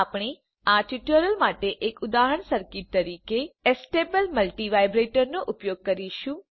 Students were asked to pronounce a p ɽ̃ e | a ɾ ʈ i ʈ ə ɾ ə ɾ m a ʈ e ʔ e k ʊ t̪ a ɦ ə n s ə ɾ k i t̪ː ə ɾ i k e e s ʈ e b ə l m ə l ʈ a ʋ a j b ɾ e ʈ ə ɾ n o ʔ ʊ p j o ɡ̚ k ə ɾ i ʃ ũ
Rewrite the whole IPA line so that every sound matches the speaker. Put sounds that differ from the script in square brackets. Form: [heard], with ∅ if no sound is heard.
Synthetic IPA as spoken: a p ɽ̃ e | a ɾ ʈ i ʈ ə ɾ ə [l] m a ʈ e ʔ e k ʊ [d̪] a ɦ ə [ɳ] s ə ɾ k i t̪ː ə ɾ i k e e s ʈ e b ə l m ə l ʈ [i] ʋ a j b ɾ e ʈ ə ɾ n o ʔ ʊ p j o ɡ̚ k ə ɾ i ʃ ũ